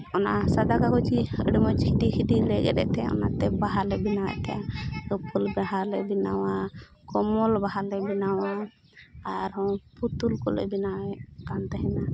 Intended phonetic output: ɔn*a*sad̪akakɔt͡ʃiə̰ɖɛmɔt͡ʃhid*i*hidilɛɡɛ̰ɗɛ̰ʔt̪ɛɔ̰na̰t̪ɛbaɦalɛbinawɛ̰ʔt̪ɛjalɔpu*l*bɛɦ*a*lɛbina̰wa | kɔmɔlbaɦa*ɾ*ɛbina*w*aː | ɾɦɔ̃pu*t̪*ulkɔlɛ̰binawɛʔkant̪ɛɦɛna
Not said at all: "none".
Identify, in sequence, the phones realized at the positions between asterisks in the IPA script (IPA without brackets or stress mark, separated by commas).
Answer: a, i, l, a, l, w, t̪